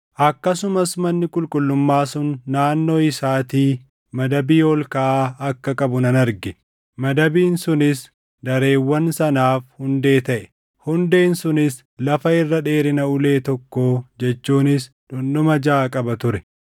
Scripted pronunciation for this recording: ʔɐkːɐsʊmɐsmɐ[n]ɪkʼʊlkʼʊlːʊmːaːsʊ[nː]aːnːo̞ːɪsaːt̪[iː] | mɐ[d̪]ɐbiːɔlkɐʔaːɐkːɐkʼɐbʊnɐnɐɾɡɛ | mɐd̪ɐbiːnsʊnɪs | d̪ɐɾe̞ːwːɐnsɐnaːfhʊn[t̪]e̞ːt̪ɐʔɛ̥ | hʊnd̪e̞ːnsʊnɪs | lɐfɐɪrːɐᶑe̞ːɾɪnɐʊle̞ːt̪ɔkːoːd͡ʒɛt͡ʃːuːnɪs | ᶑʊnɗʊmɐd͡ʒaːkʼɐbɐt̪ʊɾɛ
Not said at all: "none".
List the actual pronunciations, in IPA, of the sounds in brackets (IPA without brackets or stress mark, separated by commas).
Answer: nː, nː, iː, d̪, d̪